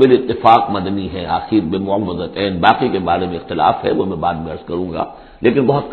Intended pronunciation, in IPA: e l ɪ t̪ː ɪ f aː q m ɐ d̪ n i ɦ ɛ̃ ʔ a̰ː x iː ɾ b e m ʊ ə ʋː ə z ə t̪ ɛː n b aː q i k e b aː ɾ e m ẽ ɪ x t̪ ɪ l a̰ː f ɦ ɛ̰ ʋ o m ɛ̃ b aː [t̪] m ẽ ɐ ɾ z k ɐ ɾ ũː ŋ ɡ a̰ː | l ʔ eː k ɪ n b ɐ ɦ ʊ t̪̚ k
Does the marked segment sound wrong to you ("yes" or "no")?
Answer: yes